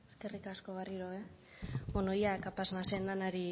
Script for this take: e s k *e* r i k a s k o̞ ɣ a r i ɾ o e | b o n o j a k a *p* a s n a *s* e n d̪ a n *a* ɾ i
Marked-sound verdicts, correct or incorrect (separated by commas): correct, correct, correct, correct